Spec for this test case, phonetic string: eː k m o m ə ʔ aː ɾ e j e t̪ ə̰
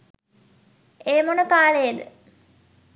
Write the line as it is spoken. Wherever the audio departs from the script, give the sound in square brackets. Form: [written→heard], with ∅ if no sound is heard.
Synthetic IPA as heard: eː [k→∅] m o [m→n] ə [ʔ→k] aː [ɾ→l] e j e [t̪→d̪] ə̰